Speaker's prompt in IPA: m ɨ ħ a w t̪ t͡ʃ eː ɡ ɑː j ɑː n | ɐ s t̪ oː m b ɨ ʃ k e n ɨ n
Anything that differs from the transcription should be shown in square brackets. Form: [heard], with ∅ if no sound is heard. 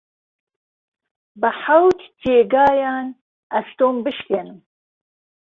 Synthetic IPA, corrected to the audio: [b] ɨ ħ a w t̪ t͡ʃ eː ɡ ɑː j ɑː n | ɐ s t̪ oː m b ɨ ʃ k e n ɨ [m]